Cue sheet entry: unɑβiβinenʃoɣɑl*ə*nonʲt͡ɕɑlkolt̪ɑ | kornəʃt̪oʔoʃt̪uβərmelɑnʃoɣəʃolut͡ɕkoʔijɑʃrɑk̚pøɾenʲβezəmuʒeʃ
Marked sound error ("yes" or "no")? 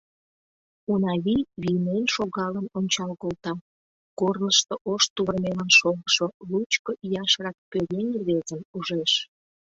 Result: no